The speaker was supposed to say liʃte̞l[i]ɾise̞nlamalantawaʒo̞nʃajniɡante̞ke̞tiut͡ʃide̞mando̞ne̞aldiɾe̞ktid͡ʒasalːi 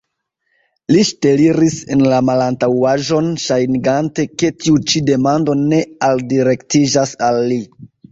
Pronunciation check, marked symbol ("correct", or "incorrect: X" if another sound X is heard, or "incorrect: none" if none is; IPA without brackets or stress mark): correct